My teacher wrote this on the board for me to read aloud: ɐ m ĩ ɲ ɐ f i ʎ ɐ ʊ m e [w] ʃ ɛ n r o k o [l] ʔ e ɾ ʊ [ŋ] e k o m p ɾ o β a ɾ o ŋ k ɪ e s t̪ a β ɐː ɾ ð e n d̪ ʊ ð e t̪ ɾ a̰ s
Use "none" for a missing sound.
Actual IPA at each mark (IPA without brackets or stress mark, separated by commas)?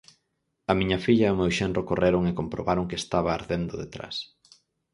w, r, ŋ